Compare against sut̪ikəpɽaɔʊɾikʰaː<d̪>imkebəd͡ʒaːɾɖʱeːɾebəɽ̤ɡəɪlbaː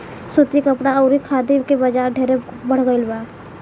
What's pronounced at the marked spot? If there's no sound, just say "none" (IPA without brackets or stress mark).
d̪